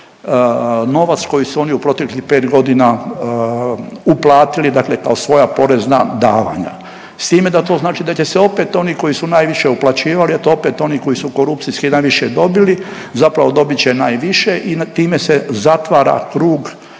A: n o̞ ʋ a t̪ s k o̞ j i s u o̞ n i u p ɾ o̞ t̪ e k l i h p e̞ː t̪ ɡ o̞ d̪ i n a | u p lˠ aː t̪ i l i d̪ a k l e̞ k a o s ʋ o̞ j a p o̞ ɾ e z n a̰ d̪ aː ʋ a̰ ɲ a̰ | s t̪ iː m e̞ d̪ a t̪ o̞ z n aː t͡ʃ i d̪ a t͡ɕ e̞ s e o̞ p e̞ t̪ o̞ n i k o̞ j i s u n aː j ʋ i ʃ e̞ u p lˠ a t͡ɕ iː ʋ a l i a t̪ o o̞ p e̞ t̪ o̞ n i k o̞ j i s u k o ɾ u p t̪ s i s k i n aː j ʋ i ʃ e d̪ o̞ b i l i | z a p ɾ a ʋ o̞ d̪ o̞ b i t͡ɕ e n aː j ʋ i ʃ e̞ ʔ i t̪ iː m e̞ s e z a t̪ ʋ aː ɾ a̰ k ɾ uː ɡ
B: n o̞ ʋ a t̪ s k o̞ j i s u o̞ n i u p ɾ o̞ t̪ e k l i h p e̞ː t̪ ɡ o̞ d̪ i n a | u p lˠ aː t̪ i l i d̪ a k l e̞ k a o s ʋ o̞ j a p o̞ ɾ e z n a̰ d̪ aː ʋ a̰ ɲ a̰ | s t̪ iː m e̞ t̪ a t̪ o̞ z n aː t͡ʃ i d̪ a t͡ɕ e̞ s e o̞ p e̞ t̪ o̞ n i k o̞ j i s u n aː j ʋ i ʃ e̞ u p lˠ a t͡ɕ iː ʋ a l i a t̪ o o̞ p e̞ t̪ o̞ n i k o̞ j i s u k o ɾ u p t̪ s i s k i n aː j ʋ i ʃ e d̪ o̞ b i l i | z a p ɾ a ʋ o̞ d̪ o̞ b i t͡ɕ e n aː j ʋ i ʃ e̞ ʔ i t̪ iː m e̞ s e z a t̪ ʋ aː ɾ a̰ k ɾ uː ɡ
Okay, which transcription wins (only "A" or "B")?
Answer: A